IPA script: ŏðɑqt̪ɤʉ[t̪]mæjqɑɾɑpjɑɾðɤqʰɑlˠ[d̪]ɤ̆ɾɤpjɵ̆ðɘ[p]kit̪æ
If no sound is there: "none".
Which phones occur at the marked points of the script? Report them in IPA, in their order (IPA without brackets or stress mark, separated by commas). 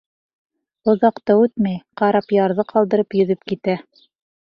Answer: t̪, d̪, p